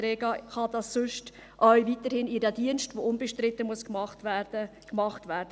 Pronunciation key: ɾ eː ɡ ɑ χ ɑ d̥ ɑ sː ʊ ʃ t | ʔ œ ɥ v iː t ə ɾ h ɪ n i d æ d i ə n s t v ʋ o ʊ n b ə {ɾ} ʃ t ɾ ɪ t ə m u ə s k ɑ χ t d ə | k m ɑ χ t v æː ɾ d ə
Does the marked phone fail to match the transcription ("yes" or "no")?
yes